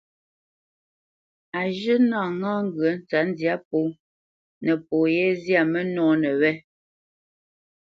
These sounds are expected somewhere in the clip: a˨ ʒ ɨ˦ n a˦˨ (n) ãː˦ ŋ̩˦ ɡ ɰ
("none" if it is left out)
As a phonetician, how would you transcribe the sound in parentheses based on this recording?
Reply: ŋ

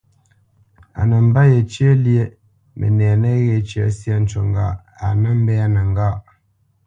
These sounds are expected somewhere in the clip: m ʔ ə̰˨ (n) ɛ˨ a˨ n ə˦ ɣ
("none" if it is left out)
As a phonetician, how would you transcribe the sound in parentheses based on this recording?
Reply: n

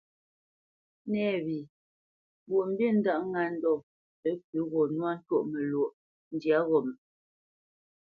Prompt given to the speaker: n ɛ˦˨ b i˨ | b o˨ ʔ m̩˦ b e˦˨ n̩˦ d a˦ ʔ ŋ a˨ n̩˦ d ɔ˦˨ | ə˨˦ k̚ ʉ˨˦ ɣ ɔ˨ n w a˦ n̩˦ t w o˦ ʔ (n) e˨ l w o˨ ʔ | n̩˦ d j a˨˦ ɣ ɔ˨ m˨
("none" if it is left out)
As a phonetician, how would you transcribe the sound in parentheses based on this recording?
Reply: m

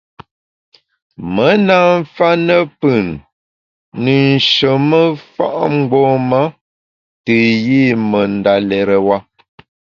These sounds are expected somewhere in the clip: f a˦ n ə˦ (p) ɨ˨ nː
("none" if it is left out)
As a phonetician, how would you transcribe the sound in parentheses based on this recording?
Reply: p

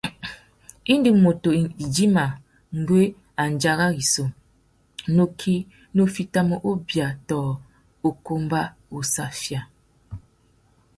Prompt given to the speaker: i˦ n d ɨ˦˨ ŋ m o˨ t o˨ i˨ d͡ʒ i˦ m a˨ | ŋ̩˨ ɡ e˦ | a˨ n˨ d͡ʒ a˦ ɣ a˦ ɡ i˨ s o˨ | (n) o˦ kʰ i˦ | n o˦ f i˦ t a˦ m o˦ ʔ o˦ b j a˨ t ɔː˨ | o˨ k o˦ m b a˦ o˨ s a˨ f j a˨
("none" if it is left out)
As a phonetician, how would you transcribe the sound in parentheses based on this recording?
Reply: n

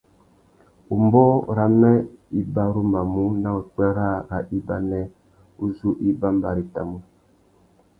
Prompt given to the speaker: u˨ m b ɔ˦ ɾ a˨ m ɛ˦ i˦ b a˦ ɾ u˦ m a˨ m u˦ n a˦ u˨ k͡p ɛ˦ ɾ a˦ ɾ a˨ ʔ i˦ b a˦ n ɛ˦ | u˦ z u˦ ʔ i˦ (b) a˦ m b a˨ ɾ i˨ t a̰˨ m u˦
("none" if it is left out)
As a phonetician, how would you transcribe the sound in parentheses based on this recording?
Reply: b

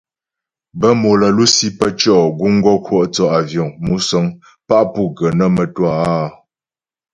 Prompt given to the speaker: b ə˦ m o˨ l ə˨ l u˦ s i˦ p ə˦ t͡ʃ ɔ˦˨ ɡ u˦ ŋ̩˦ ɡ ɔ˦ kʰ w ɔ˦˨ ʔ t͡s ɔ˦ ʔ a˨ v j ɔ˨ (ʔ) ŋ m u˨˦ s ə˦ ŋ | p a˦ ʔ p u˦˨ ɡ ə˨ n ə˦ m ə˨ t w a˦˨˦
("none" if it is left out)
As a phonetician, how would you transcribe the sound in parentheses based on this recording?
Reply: none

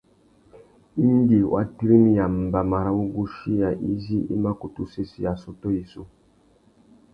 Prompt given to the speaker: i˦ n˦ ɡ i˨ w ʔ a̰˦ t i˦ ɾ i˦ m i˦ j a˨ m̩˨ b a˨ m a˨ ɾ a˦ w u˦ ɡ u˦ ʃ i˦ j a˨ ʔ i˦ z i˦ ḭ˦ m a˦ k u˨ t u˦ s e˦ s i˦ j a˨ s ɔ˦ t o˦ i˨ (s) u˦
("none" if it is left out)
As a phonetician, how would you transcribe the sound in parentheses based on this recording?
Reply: s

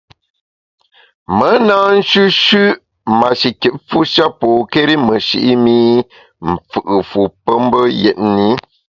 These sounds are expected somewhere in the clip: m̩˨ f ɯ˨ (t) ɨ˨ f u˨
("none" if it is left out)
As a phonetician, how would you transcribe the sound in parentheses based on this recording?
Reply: ʔ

